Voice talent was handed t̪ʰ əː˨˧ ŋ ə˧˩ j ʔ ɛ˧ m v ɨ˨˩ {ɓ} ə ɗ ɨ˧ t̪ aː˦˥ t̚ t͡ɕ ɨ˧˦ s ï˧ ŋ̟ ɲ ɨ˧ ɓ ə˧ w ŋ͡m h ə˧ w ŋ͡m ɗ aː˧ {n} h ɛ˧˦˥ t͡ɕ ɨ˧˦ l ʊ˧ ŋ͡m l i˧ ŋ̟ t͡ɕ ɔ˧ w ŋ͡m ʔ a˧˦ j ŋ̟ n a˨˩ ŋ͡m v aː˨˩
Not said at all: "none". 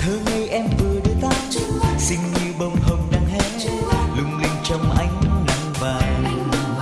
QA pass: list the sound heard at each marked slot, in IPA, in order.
none, ŋ

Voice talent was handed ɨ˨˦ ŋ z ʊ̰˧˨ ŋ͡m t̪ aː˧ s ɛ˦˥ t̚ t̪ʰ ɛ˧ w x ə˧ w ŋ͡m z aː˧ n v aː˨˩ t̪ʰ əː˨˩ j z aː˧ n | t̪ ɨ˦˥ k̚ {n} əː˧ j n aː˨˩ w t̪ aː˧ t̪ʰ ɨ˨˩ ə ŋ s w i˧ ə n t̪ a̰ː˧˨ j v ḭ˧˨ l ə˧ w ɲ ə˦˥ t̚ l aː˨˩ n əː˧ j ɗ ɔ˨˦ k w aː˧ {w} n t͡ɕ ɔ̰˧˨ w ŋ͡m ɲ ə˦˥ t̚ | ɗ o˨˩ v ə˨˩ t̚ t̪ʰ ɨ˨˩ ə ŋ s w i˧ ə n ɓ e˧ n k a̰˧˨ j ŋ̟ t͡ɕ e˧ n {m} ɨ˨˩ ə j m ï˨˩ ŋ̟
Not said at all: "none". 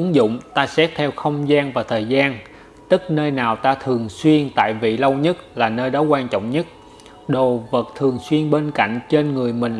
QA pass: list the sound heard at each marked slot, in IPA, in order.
n, none, ŋ

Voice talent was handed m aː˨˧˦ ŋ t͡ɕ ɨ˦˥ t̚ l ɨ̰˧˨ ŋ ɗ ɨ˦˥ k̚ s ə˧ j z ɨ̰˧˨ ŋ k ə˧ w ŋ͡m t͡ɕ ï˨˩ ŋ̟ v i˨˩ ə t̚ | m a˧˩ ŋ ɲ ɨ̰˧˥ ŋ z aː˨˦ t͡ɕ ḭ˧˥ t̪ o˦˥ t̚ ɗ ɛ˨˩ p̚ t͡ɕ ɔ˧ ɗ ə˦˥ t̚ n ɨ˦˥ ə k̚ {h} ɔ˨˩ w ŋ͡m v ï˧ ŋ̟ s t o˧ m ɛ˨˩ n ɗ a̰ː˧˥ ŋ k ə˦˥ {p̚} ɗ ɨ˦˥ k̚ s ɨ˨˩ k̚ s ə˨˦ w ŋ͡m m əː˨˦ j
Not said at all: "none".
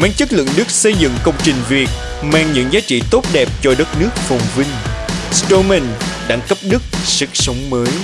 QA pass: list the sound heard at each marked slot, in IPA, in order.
f, p̚

